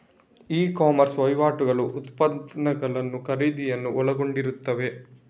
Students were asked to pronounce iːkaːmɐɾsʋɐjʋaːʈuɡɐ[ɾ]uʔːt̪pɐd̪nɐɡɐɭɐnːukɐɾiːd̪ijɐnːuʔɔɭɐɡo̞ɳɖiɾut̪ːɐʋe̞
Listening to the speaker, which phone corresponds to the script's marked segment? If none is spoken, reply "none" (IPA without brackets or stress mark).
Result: ɭ